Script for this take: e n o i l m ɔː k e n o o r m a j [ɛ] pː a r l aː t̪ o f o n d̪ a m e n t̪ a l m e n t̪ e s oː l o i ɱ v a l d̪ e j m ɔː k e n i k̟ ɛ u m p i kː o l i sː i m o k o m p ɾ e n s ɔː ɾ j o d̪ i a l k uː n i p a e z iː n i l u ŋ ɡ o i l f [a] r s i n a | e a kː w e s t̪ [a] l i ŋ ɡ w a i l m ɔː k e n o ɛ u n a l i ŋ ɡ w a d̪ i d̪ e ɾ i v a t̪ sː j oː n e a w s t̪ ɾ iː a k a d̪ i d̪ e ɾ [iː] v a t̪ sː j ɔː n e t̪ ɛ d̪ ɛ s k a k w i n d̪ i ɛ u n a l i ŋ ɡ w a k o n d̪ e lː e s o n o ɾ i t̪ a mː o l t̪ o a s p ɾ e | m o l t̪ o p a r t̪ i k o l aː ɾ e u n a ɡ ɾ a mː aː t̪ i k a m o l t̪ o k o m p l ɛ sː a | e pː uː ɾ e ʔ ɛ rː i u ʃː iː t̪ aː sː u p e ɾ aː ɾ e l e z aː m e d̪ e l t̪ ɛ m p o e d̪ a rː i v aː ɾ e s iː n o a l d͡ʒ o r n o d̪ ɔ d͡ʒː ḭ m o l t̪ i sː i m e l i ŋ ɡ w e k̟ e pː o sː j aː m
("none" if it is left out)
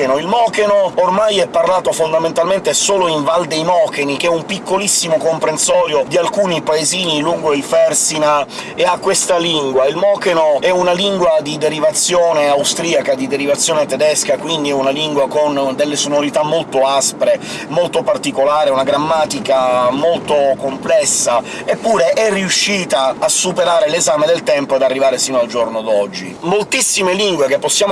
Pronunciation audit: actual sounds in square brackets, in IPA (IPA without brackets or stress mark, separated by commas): ɛ, ɛ, a, i